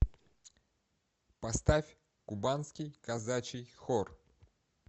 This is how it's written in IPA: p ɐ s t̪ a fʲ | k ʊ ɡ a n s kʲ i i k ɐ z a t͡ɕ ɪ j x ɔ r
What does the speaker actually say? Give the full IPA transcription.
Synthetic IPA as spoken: p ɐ s t̪ a fʲ | k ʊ b a n s kʲ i j k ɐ z a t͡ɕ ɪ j x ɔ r